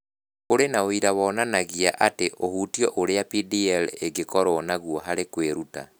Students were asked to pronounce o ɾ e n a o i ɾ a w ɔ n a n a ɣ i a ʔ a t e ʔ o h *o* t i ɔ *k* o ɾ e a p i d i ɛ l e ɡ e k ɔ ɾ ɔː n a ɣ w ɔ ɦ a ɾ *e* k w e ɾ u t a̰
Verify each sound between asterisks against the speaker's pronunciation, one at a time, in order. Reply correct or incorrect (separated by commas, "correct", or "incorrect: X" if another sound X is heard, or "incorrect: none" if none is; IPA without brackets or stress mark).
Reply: incorrect: u, incorrect: ʔ, correct